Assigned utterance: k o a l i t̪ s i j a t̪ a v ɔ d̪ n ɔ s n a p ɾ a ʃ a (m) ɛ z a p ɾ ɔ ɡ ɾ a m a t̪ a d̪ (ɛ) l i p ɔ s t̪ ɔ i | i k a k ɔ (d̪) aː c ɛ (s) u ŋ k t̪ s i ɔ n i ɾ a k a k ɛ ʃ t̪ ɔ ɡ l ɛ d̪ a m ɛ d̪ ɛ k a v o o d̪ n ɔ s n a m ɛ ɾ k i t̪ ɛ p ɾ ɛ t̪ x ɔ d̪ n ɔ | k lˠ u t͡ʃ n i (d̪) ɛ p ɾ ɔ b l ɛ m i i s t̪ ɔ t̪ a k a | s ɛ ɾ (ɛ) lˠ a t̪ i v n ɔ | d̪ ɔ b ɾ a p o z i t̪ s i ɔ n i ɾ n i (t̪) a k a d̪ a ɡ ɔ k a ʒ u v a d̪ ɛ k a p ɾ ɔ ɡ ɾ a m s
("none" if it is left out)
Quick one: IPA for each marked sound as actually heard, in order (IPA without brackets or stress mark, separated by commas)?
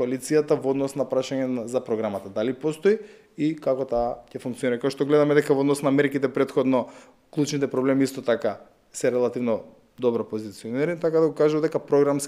ɲ, a, t̪, f, t̪, ɛ, t̪